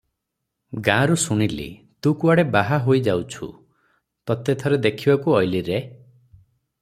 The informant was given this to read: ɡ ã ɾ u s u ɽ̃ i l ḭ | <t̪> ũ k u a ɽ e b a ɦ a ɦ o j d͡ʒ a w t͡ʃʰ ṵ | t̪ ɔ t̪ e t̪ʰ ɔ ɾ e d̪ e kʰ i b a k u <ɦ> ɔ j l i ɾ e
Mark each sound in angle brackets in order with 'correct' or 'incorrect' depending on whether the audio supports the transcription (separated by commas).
correct, incorrect